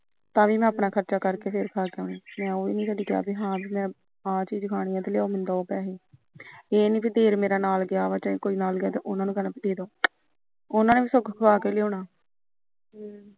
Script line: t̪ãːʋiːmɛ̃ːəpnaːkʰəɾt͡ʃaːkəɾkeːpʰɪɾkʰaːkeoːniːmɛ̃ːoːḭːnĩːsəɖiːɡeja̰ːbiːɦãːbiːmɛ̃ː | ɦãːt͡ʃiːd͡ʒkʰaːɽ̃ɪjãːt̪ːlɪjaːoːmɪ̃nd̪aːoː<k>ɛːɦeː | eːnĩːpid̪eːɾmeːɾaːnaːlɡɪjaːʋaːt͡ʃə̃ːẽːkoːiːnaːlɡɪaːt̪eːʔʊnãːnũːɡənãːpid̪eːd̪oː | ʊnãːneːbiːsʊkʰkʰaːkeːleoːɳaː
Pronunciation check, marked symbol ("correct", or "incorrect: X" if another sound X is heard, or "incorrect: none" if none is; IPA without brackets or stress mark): incorrect: p